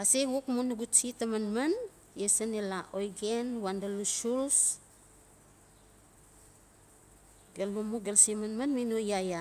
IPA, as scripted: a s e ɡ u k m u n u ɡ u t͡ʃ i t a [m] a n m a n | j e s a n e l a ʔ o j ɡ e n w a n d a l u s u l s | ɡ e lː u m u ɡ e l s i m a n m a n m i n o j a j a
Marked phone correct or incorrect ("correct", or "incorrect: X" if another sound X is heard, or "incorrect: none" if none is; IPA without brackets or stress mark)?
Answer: correct